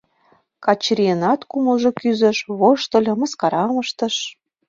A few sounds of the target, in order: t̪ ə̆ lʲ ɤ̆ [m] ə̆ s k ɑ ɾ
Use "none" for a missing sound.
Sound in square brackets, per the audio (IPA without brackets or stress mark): m